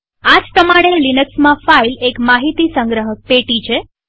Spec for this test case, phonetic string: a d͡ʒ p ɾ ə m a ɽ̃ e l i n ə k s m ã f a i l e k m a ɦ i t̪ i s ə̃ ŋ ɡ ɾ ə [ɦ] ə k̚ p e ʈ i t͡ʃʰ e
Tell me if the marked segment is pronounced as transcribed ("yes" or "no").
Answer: yes